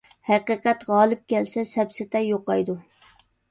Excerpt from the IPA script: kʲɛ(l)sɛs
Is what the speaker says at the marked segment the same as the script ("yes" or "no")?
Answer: yes